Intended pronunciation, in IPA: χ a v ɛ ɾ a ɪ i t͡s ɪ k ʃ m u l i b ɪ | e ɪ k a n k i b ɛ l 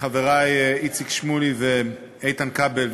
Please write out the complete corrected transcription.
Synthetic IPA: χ a v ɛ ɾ a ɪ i t͡s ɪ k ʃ m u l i v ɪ | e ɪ t a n k a b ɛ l